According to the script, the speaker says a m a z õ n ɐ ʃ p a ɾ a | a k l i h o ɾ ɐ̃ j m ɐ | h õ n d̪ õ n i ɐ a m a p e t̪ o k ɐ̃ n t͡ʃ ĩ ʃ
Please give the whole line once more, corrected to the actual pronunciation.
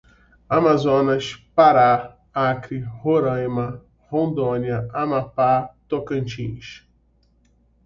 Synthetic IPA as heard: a m a z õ n ɐ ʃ p a ɾ a | a k ɾ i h o ɾ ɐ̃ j m ɐ | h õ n d̪ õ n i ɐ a m a p a t̪ o k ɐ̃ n t͡ʃ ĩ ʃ